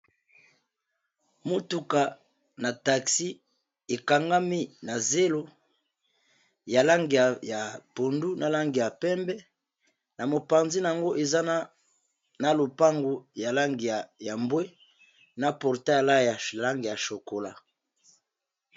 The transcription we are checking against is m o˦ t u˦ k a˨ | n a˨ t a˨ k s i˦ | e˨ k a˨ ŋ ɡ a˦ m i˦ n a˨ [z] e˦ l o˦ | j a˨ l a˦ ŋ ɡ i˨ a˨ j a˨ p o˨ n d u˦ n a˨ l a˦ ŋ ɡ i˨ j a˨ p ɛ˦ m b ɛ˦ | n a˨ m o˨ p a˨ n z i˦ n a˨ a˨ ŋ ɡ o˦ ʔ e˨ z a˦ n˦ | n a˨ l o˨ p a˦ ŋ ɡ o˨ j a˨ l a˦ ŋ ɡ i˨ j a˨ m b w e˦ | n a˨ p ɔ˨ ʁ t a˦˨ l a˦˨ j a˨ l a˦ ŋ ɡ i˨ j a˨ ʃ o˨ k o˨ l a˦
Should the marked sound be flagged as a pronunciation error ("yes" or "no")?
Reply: no